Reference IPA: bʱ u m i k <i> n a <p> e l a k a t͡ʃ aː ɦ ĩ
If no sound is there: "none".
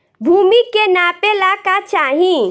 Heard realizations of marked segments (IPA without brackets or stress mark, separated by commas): e, p